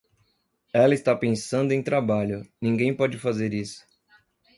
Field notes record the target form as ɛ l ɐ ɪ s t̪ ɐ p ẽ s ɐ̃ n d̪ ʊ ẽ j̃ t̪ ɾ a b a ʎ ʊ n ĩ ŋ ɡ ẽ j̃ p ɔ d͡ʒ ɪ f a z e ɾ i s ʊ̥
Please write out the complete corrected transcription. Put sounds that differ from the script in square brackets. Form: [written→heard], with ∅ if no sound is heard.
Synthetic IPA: ɛ l ɐ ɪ s t̪ [ɐ→a] p ẽ s ɐ̃ n d̪ ʊ ẽ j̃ t̪ ɾ a b a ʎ ʊ n ĩ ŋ ɡ ẽ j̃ p ɔ d͡ʒ ɪ f a z e ɾ i s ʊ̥